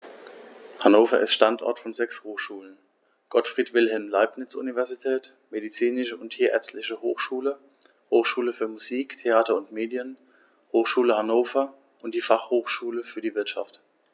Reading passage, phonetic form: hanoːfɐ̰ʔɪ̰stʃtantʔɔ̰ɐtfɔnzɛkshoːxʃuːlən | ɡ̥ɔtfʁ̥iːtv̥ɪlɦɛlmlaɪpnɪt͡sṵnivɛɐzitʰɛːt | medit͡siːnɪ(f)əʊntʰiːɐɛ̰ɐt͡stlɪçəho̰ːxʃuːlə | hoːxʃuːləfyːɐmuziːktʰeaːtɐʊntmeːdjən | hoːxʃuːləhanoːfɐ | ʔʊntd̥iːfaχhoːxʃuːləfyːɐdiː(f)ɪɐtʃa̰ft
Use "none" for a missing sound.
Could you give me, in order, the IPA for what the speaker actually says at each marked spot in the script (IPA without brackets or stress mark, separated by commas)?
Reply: ʃ, v